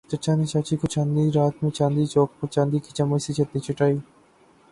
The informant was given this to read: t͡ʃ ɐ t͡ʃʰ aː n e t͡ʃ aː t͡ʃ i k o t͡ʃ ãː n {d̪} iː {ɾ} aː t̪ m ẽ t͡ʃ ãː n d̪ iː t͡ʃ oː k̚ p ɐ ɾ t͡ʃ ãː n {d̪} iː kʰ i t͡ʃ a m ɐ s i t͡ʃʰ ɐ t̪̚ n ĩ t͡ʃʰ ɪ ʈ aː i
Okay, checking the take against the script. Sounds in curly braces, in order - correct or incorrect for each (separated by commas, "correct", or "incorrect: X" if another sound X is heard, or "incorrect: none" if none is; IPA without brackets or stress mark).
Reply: correct, correct, correct